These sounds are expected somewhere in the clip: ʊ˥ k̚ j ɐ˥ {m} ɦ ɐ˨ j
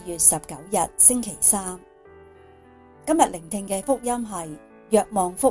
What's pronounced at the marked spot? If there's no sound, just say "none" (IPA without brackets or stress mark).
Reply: m